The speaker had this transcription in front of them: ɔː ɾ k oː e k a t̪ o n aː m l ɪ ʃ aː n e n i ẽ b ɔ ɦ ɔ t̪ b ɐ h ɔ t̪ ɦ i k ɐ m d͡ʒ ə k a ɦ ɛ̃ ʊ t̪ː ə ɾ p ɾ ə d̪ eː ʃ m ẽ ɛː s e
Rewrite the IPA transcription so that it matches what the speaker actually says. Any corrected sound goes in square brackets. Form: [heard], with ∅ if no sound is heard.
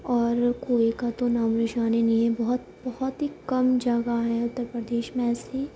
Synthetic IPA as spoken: ɔː ɾ k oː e k a t̪ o n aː m [ɾ] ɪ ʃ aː n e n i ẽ b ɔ ɦ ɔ t̪ b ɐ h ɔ t̪ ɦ i k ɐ m d͡ʒ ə [ɡ] a ɦ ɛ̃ ʊ t̪ː ə ɾ p ɾ ə d̪ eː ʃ m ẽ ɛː s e